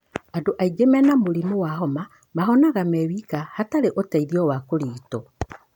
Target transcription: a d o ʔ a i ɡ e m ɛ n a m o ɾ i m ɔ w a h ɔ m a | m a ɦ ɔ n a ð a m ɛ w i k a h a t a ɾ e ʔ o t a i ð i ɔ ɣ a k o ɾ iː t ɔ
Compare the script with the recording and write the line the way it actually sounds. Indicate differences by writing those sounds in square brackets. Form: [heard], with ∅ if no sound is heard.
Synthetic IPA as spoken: a d o ʔ a i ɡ e m ɛ n a m o ɾ i m [o] w a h ɔ m a | m a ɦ ɔ n a [ɣ] a m ɛ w i k a h a t a ɾ e ʔ o t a i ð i ɔ [w] a k o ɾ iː t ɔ